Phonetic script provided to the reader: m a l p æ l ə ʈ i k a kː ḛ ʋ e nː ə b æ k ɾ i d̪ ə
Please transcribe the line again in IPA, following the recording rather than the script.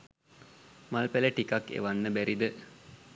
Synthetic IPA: m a l p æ l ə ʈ i k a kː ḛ ʋ a nː ə b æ ɾ i d̪ ə